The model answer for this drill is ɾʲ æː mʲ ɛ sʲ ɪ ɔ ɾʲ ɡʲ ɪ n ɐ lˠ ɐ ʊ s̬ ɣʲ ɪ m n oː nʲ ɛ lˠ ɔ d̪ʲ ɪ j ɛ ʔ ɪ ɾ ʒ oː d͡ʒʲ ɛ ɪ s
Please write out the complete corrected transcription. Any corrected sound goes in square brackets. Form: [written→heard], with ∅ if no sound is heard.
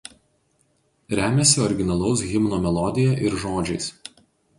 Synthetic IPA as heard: ɾʲ æː mʲ ɛ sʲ ɪ ɔ ɾʲ ɡʲ ɪ n ɐ lˠ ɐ ʊ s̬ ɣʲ ɪ m n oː [nʲ→mʲ] ɛ lˠ ɔ d̪ʲ ɪ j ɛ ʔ ɪ ɾ ʒ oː d͡ʒʲ ɛ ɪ s